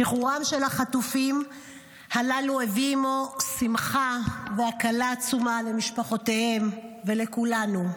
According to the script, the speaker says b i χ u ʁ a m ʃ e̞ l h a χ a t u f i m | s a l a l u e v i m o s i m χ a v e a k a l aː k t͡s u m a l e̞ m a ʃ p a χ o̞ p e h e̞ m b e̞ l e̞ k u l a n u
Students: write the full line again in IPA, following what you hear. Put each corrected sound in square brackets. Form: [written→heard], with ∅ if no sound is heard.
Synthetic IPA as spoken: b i χ u ʁ a m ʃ e̞ l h a χ a t u f i m | [s→h] a l a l u e v i m o s i m χ a v e a k a l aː [k→∅] t͡s u m a l e̞ m [a→i] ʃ p a χ o̞ [p→t] e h e̞ m [b→v] e̞ l e̞ k u l a n u